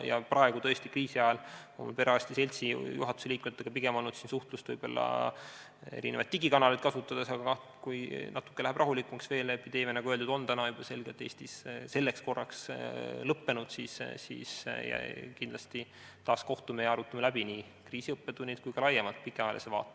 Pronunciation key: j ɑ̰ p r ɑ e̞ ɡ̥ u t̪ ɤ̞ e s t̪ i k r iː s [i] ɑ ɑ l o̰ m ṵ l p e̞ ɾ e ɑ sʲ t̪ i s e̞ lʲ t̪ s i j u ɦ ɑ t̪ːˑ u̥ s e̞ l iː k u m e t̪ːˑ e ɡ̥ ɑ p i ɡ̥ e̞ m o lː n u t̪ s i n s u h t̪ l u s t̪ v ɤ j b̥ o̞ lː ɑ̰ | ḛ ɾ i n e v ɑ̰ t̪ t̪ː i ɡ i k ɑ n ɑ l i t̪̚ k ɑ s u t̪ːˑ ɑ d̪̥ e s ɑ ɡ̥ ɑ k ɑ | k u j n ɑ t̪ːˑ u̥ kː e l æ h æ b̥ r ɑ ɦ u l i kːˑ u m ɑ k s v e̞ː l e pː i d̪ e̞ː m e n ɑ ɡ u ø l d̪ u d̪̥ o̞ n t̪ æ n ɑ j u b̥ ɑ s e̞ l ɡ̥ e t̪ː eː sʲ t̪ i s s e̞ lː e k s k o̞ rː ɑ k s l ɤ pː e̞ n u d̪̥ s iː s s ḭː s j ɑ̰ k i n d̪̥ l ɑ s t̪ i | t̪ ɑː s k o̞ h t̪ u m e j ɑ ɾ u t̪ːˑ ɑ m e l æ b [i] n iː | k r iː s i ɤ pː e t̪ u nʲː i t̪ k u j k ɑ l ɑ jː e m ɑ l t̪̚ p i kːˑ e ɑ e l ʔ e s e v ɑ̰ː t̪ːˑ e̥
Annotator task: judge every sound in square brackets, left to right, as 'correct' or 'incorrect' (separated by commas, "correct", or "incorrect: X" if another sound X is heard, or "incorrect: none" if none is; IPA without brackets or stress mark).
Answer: correct, correct